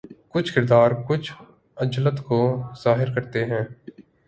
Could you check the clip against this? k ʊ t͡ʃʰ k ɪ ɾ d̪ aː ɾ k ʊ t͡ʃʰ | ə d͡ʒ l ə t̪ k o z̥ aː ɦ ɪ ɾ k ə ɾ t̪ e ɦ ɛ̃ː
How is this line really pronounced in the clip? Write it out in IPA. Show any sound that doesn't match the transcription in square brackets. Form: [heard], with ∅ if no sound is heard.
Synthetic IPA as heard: k ʊ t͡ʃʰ k ɪ ɾ d̪ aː ɾ k ʊ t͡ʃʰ | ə d͡ʒ l ə t̪ k o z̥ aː ɦ ɪ ɾ k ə ɾ t̪ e ɦ ɛ̃ː